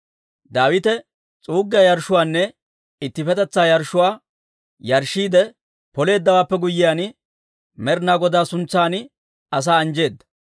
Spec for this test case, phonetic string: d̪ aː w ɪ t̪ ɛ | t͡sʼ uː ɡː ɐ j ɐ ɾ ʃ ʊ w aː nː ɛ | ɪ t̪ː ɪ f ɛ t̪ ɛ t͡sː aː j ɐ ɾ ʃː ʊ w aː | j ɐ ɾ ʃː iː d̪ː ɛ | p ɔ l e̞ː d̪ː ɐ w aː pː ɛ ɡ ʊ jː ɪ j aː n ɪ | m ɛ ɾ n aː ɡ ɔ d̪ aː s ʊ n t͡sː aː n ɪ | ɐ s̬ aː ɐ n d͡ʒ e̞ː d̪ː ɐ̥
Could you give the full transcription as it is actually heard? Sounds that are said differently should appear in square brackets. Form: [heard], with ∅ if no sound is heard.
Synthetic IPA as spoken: d̪ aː w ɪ t̪ ɛ | t͡sʼ uː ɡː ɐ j ɐ ɾ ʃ ʊ w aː nː ɛ | ɪ t̪ː ɪ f ɛ t̪ ɛ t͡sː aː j ɐ ɾ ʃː ʊ w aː | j ɐ ɾ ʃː iː [d̪] ɛ | p ɔ l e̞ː d̪ː ɐ w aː pː ɛ ɡ ʊ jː ɪ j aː n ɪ | m ɛ ɾ n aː ɡ ɔ d̪ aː s ʊ n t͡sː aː n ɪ | ɐ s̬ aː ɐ n d͡ʒ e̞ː d̪ː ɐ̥